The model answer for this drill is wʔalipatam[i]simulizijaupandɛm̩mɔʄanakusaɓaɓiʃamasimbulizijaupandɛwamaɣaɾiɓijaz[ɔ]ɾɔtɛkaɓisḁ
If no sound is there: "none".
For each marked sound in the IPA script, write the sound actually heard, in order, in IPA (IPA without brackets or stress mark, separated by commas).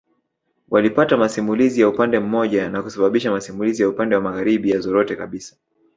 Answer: a, ɔ